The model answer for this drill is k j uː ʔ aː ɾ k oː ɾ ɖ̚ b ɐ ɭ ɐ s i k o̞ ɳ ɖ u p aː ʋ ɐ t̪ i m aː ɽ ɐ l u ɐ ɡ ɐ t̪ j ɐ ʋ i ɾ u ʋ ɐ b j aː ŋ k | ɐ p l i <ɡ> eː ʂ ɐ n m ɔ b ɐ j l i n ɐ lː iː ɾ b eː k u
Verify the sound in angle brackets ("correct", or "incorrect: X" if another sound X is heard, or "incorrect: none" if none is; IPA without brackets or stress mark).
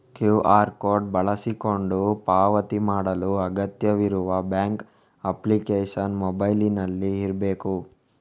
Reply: incorrect: k